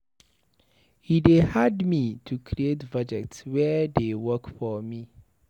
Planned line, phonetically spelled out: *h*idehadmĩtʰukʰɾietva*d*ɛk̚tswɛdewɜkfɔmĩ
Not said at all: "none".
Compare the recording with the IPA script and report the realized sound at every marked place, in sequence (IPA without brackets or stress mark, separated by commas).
h, d͡ʒ